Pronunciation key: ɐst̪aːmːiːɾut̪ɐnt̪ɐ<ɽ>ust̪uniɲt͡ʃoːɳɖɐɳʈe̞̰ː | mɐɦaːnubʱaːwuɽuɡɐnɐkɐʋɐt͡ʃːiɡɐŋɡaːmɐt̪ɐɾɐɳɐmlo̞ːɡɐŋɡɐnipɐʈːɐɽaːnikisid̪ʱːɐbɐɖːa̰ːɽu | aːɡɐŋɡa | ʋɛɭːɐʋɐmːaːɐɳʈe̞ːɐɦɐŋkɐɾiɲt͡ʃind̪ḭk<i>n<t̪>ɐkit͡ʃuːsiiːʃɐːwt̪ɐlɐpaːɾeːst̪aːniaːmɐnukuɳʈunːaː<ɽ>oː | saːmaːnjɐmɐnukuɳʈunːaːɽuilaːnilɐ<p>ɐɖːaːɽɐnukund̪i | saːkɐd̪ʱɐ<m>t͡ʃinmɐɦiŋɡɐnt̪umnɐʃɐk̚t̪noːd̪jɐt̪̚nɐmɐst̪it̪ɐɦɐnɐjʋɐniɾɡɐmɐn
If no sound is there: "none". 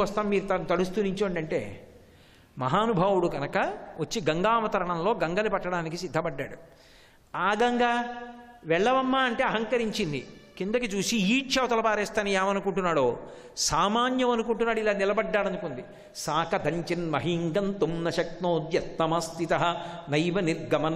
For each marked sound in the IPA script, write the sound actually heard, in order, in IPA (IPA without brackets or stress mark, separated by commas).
ɽ, i, d̪, ɽ, b, ɲ